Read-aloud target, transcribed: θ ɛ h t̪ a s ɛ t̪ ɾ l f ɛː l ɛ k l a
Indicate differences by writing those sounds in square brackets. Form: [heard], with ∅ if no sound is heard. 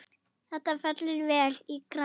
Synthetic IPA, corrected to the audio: θ ɛ h t̪ a [f] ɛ t̪ [l] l [v] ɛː l [i] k [ɾ] a